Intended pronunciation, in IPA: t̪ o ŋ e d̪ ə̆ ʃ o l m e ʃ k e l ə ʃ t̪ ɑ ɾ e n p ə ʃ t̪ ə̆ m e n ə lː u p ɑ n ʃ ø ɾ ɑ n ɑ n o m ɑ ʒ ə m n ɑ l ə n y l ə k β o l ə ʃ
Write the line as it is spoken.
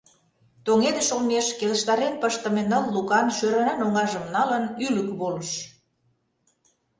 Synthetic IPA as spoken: t̪ o ŋ e d̪ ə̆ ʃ o l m e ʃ k e l ə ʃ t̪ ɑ ɾ e n p ə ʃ t̪ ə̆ m e n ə lː u k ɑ n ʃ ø ɾ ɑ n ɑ n o ŋ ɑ ʒ ə m n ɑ l ə n y l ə k β o l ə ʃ